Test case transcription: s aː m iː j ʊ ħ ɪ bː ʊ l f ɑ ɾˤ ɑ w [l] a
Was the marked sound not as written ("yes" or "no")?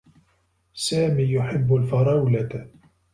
no